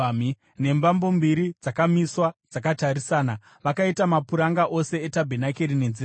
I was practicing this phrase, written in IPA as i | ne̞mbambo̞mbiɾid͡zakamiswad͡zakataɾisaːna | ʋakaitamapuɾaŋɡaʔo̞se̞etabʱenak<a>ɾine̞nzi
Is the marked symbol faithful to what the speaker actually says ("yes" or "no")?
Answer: no